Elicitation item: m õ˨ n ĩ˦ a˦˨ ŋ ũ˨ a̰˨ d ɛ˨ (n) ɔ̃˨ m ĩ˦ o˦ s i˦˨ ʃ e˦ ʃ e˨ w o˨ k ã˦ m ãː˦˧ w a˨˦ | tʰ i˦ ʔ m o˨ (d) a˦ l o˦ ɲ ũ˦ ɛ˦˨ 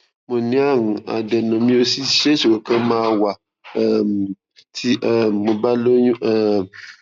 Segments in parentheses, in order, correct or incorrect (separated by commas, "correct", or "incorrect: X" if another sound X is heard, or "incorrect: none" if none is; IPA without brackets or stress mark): correct, incorrect: b